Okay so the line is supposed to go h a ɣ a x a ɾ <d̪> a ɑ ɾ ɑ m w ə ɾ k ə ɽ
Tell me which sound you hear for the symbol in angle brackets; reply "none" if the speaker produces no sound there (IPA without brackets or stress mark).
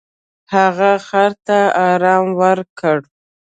t̪